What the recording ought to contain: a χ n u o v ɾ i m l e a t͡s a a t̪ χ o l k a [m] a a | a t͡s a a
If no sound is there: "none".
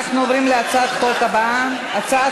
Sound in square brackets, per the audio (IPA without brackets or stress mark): b